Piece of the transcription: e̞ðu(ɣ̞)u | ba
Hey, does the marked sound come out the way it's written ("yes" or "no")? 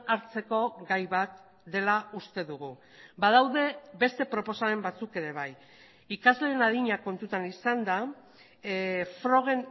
yes